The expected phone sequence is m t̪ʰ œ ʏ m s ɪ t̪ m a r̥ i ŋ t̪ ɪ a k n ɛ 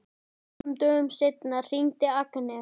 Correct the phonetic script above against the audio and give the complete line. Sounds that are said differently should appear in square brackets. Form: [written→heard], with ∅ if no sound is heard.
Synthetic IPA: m [t̪ʰ→t̪] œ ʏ m s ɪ t̪ [m→n] a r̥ i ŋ t̪ ɪ a k n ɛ